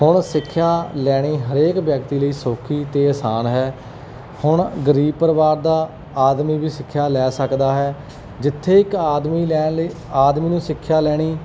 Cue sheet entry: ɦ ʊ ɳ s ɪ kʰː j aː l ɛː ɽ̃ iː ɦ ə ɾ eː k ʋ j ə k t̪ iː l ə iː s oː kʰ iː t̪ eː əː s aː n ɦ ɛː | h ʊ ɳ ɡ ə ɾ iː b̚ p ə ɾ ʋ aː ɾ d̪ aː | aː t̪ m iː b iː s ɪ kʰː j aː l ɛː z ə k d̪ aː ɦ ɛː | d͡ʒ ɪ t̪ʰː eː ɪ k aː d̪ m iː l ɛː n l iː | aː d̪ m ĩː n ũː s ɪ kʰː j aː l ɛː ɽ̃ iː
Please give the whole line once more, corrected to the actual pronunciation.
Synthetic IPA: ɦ ʊ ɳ s ɪ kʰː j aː l ɛː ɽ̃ iː ɦ ə ɾ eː k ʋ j ə k t̪ iː l ə iː s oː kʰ iː t̪ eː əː s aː n ɦ ɛː | h ʊ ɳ ɡ ə ɾ iː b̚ p ə ɾ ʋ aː ɾ d̪ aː | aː d̪ m iː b iː s ɪ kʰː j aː l ɛː s ə k d̪ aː ɦ ɛː | d͡ʒ ɪ t̪ʰː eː ɪ k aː d̪ m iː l ɛː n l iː | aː d̪ m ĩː n ũː s ɪ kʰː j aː l ɛː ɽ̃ iː